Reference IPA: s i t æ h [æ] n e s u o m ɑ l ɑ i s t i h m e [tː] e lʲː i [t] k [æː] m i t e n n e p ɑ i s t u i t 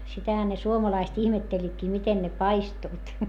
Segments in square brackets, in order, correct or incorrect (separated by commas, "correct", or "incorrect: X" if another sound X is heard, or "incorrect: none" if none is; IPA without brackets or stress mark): correct, correct, correct, incorrect: iː